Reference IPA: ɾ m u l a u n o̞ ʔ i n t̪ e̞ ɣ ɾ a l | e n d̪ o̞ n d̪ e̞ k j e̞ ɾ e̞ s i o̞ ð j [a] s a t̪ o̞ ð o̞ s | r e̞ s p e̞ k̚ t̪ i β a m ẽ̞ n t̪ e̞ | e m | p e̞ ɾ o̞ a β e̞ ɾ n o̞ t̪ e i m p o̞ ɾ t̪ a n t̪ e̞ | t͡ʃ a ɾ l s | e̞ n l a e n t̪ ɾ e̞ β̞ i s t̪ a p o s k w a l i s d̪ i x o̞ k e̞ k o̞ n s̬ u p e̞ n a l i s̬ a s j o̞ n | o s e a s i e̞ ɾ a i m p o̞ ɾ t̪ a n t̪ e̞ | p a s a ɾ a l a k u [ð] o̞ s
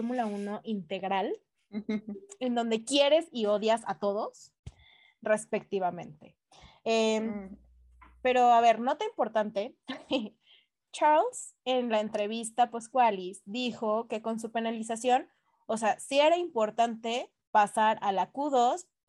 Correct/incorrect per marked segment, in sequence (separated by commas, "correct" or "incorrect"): correct, correct